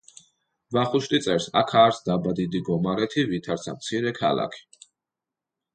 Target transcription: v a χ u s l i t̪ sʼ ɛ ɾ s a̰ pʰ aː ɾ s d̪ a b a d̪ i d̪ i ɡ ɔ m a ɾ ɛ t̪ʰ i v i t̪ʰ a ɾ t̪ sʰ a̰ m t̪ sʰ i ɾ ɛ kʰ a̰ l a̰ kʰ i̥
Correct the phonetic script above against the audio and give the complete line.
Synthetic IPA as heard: v a χ u ʃ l i t̪ sʼ ɛ ɾ s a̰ kʰ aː ɾ s d̪ a b a d̪ i d̪ i ɡ ɔ m a ɾ ɛ t̪ʰ i v i t̪ʰ a ɾ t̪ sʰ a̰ m t̪ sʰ i ɾ ɛ kʰ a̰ l a̰ kʰ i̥